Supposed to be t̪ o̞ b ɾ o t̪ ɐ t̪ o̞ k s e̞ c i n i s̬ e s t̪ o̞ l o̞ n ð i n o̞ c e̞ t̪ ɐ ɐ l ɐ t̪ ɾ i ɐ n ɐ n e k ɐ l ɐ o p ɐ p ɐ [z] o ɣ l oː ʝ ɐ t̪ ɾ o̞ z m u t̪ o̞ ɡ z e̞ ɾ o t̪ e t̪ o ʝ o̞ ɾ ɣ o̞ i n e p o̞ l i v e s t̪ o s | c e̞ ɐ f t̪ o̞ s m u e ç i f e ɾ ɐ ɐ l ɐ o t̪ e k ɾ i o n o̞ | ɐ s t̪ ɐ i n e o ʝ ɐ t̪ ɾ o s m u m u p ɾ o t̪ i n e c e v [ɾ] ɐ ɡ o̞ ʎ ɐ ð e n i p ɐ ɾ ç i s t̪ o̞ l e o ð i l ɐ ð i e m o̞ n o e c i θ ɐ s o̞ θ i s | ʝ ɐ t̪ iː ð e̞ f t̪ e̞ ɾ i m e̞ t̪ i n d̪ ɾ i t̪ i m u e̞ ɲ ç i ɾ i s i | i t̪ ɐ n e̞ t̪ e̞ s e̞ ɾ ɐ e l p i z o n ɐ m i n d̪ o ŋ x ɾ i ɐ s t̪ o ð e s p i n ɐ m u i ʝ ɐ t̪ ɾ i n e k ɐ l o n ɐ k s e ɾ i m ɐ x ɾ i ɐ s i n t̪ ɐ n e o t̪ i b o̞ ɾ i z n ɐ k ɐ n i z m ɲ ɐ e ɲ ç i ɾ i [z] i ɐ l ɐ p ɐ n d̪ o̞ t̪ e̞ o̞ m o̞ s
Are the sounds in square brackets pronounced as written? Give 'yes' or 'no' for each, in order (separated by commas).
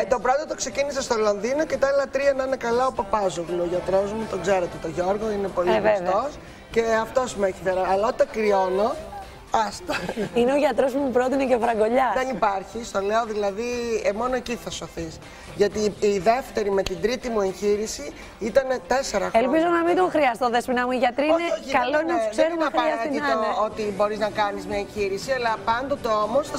yes, yes, no